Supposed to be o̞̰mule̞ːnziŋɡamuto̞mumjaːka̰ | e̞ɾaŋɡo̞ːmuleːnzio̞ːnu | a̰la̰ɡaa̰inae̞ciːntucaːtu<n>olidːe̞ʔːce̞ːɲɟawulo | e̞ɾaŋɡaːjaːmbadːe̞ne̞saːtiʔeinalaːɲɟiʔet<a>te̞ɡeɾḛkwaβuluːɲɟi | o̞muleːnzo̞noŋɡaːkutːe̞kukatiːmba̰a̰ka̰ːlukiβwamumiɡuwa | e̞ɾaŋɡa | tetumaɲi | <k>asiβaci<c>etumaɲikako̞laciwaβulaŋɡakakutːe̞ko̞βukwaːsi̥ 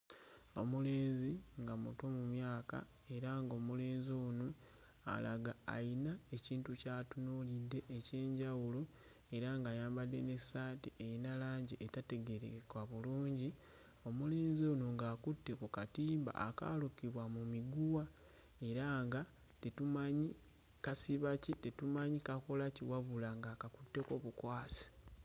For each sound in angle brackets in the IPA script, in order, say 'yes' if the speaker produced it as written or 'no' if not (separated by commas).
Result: yes, yes, yes, no